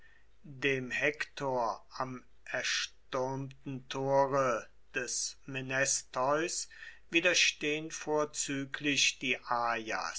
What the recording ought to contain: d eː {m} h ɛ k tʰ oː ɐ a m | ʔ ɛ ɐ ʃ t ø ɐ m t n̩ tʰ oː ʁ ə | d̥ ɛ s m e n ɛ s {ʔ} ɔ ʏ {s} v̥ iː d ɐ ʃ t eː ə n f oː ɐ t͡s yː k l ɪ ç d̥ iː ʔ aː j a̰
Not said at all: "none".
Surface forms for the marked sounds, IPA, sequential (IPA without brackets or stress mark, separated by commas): m, t, s